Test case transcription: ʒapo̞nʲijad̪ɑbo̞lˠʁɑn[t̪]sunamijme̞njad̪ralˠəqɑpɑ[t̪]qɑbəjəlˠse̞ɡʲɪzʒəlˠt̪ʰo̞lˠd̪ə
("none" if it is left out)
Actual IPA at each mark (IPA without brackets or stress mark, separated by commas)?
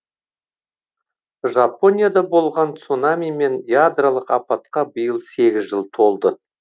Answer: t̪, t̪